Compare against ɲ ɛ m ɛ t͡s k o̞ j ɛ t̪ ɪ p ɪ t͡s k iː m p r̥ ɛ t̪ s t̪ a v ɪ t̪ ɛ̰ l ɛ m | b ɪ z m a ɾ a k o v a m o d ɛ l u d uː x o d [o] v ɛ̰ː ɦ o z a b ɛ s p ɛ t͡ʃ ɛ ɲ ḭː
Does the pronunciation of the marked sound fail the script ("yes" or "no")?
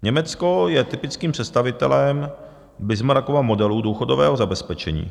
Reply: no